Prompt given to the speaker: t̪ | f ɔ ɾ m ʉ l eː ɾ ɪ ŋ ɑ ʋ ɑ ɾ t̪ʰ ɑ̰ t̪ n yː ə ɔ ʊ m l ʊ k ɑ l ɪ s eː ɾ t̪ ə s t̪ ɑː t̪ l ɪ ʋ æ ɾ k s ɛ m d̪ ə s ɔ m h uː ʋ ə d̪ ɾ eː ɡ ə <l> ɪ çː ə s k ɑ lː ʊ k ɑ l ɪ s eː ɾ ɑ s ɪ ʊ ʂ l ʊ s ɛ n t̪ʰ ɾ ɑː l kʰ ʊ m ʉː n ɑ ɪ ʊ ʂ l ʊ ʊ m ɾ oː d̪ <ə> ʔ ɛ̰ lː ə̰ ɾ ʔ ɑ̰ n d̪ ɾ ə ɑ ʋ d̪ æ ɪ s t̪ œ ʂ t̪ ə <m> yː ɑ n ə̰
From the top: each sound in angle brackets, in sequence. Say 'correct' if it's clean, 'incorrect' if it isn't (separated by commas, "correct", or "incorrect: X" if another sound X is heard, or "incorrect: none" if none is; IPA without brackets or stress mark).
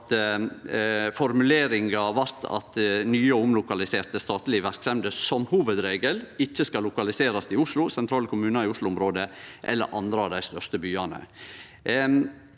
correct, correct, incorrect: b